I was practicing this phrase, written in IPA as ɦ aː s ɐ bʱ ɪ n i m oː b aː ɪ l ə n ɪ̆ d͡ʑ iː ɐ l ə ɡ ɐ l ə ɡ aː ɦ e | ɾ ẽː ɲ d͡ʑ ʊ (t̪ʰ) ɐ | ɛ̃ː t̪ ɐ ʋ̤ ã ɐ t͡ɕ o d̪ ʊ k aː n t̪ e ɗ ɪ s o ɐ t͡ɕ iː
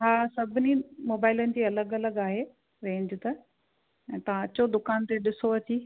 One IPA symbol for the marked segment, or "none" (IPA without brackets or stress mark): t̪